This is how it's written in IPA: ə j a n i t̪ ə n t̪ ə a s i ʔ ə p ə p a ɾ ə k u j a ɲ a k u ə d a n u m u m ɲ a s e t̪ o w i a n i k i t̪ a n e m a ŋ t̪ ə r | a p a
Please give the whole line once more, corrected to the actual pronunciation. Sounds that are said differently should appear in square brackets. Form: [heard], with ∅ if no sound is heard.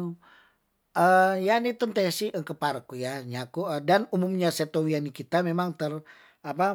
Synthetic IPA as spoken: ə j a n i t̪ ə n t̪ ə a s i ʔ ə [k] ə p a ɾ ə k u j a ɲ a k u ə d a n u m u m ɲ a s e t̪ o w i a n i k i t̪ a [m] e m a ŋ t̪ ə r | a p a